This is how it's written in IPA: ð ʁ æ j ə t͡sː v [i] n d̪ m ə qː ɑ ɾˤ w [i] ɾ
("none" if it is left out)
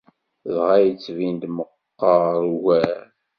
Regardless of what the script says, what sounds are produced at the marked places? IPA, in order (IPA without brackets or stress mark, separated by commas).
i, æ